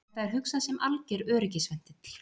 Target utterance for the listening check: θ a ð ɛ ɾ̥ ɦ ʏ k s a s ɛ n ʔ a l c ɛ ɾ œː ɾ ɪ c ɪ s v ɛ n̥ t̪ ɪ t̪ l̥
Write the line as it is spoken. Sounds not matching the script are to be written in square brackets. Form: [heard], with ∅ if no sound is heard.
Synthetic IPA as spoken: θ a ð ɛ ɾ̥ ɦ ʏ k s a s ɛ [m] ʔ a l c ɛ ɾ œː ɾ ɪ c ɪ s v ɛ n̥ t̪ ɪ t̪ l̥